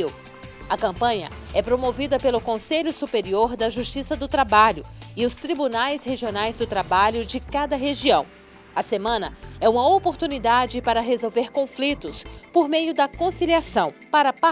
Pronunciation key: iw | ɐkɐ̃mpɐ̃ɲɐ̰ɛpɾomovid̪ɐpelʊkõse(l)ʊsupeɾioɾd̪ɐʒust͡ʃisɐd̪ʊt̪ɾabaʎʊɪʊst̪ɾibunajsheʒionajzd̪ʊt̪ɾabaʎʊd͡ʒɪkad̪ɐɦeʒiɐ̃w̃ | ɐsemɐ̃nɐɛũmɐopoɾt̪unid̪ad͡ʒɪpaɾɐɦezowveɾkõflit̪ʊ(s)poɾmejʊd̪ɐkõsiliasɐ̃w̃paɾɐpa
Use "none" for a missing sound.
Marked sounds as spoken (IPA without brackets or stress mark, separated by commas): ʎ, s